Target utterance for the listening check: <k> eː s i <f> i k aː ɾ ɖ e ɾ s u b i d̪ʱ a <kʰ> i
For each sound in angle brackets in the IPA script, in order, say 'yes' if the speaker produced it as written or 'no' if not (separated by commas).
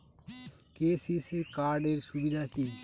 yes, no, no